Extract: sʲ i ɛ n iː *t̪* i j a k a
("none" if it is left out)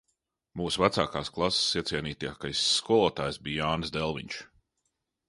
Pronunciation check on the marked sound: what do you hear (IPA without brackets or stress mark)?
t̪